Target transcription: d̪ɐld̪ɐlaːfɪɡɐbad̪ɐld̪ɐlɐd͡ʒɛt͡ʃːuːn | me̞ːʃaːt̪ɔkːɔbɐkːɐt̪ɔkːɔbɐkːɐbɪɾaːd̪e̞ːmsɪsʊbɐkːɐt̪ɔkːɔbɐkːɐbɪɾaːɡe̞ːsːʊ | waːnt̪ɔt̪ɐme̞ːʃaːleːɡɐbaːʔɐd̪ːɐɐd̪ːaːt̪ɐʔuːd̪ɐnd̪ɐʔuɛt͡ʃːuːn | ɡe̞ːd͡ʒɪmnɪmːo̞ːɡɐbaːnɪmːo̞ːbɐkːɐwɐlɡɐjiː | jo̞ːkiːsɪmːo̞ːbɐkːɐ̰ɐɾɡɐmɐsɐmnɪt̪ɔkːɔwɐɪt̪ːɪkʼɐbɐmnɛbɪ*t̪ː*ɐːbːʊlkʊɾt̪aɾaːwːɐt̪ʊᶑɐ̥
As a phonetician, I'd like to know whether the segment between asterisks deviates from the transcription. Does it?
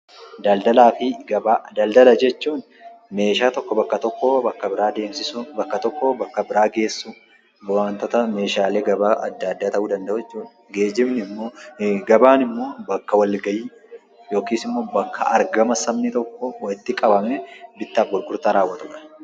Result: no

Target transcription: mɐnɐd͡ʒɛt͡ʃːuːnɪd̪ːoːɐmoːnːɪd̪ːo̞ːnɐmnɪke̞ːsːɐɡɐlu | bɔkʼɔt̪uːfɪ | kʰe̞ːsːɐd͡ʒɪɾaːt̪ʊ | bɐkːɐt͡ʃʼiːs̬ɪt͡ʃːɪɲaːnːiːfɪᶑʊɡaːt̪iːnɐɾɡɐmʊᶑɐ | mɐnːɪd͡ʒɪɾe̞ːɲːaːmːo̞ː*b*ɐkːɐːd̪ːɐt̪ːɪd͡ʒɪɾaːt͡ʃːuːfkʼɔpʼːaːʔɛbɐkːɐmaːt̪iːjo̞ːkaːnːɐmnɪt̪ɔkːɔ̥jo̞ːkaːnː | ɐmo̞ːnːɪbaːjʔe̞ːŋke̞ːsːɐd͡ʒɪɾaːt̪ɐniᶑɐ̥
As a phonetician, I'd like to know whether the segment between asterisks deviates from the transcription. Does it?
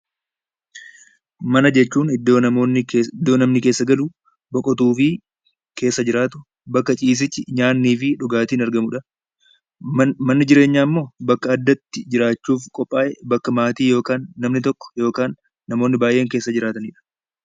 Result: no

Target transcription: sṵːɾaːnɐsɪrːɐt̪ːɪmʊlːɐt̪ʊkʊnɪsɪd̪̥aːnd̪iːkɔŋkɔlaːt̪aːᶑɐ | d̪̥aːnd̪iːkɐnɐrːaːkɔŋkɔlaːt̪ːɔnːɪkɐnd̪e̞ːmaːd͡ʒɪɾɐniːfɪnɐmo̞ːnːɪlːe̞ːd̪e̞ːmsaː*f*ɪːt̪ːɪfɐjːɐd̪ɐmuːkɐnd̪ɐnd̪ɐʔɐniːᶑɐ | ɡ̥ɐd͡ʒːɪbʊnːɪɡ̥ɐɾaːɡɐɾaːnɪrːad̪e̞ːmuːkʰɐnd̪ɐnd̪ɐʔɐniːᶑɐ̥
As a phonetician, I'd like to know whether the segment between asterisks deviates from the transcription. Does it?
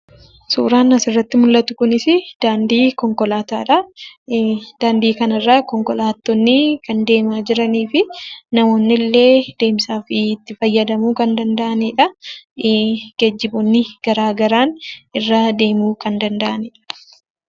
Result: no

